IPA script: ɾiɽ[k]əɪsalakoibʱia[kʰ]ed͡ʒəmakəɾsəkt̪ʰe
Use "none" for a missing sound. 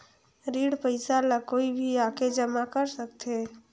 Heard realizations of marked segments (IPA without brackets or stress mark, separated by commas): p, k